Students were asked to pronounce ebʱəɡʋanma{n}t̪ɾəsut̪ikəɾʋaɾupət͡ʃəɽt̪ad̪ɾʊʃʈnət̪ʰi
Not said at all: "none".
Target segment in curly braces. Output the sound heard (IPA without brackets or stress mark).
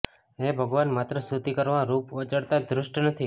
none